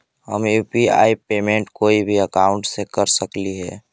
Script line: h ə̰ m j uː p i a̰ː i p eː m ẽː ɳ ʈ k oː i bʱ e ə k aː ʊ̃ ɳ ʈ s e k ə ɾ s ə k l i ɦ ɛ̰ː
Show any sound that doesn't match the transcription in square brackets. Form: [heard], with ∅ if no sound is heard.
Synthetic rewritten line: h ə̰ m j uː p i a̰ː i p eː m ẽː ɳ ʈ k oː i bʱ [i] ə k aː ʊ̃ ɳ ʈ s e k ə ɾ s ə k l i ɦ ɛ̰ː